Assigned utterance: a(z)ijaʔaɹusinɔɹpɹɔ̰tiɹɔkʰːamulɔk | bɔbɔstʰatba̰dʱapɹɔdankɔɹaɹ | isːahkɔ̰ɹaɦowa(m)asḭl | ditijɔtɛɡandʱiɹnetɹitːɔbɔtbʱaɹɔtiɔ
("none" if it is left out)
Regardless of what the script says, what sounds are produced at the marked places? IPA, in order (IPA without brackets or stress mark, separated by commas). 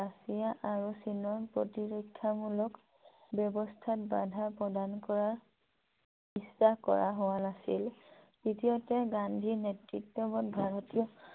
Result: s, n